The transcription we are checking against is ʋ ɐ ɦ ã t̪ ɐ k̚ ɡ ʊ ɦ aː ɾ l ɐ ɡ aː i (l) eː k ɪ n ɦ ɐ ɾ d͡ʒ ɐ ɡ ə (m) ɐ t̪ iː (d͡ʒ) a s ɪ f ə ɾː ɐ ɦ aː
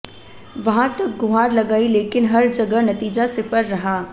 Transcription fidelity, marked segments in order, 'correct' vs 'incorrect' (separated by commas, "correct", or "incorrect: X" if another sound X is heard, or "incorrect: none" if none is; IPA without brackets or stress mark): correct, incorrect: n, correct